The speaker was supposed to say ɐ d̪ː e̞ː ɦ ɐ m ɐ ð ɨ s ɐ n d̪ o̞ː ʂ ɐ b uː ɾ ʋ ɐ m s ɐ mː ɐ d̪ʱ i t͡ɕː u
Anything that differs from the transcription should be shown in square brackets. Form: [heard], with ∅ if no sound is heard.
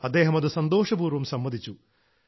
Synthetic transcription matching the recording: ɐ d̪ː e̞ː ɦ ɐ m ɐ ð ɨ s ɐ n d̪ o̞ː ʂ ɐ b uː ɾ ʋ ɐ m s ɐ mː ɐ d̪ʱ i t͡ɕː u